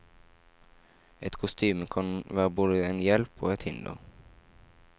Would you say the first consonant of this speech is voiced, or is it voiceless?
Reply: voiceless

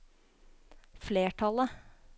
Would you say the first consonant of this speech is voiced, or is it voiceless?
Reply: voiceless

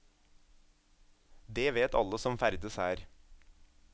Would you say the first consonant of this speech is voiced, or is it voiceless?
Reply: voiced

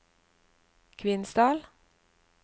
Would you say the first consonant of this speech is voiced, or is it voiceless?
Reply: voiceless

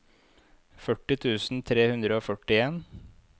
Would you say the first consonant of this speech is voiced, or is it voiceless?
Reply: voiceless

